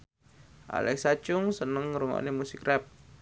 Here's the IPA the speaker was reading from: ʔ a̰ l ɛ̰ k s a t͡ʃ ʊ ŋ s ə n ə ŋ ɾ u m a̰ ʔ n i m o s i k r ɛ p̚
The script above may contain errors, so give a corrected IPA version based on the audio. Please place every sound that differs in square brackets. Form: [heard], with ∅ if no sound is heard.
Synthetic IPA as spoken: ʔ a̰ l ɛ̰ k s a t͡ʃ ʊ ŋ s ə n ə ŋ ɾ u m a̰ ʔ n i m [u] s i k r ɛ p̚